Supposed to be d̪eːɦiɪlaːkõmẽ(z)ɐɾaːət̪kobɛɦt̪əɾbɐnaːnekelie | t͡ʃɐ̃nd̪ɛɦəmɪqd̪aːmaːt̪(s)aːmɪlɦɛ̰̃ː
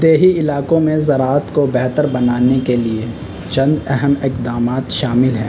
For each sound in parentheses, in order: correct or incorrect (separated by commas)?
correct, incorrect